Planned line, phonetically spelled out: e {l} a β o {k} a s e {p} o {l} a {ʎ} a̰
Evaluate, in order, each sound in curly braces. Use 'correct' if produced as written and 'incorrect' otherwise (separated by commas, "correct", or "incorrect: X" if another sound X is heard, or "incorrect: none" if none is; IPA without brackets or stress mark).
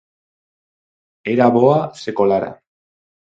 incorrect: ɾ, incorrect: none, incorrect: k, correct, incorrect: ɾ